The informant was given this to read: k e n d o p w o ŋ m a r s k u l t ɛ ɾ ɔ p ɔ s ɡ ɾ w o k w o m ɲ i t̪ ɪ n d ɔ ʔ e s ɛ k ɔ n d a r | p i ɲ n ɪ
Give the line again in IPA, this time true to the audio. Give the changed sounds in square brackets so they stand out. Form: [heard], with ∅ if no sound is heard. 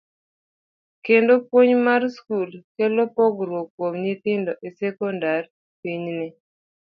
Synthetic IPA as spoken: k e n d o p w o [ɲ] m a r s k u l [k] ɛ [l] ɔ p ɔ [∅] ɡ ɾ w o k w o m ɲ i t̪ ɪ n d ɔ ʔ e s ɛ k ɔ n d a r | p i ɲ n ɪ